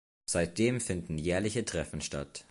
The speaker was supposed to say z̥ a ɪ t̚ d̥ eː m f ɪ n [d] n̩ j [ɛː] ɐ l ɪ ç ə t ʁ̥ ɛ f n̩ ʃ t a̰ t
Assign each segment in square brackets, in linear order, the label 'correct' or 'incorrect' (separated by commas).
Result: correct, correct